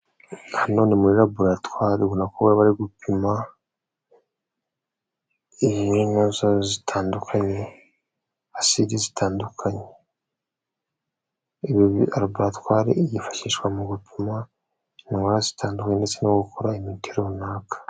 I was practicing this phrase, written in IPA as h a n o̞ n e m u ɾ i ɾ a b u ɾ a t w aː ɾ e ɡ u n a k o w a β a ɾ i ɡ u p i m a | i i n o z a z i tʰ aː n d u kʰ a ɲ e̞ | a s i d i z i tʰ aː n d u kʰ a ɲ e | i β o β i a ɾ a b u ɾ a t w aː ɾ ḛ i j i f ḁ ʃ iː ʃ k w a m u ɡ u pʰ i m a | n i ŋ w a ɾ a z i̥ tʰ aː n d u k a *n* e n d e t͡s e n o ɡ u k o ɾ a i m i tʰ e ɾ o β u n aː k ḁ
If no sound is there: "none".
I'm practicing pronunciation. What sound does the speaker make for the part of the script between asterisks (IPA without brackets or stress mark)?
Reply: ɲ